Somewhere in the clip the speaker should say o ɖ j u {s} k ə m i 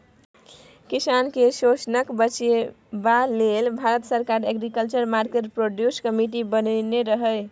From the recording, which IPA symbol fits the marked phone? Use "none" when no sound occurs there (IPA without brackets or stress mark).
s